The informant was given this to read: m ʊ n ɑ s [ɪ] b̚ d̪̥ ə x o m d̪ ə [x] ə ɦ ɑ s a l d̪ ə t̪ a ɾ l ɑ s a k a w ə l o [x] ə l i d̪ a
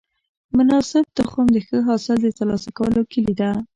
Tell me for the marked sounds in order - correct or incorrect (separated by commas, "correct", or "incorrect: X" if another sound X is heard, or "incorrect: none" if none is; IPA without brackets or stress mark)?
correct, correct, incorrect: k